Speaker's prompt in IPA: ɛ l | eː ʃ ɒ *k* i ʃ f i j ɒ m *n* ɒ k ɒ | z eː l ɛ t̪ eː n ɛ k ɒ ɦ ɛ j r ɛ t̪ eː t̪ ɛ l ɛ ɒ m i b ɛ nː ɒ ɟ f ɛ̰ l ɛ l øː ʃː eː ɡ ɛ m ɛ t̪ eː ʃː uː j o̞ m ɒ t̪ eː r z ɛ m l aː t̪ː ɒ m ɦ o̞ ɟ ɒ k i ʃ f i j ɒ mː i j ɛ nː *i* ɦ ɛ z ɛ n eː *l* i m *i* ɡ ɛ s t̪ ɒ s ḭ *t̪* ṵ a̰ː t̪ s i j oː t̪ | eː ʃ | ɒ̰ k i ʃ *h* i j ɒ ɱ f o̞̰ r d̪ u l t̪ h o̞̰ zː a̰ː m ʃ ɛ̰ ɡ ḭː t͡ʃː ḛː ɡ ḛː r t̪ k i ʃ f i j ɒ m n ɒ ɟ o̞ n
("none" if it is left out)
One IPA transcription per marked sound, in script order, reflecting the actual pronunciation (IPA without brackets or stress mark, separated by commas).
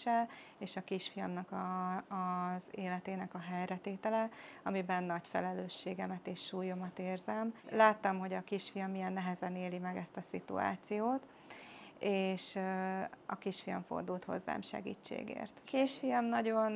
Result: k, n, ɛ, l, ɛ, t̪, f